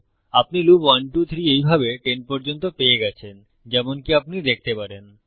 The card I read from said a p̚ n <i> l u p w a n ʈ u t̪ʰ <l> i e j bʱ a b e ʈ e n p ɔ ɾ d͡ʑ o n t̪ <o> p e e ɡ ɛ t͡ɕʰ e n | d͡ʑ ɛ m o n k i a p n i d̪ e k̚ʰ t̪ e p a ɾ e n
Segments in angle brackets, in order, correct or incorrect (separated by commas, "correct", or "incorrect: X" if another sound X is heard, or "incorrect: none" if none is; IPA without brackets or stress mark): correct, incorrect: ɾ, correct